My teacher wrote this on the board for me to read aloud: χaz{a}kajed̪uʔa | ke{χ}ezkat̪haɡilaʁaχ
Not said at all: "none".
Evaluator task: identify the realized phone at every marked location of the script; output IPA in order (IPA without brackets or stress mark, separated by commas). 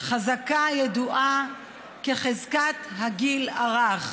a, χ